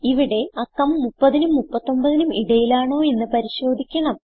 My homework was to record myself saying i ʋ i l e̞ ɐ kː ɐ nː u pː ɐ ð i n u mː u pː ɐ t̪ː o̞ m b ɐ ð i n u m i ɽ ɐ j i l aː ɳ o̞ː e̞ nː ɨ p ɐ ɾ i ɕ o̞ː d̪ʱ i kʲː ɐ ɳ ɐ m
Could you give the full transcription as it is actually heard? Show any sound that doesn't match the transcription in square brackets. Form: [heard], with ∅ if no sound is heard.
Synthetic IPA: i ʋ i [ɽ] e̞ ɐ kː ɐ [mː] u pː ɐ ð i n u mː u pː ɐ t̪ː o̞ m b ɐ ð i n u m i ɽ ɐ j i l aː ɳ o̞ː e̞ nː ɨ p ɐ ɾ i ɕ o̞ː d̪ʱ i kʲː ɐ ɳ ɐ m